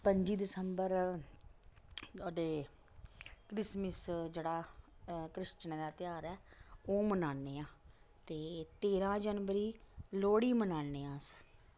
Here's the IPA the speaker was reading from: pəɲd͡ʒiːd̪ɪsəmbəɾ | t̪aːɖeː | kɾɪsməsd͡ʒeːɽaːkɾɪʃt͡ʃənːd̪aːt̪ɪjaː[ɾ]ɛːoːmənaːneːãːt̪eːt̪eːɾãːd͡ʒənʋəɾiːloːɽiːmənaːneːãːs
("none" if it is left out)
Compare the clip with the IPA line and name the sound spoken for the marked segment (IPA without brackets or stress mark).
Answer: ɾ